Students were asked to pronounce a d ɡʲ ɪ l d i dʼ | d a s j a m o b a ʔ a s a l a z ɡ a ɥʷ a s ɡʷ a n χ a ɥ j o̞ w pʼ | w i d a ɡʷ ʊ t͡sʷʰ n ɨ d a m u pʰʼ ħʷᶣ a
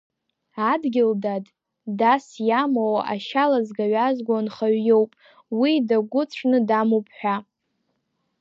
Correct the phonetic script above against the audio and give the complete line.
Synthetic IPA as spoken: a d ɡʲ ɪ l d a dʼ | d a s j a m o w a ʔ a ʃ a l a z ɡ a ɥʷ a z ɡʷ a n χ a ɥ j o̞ w pʼ | w i d a ɡʷ ʊ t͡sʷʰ n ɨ d a m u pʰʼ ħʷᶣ a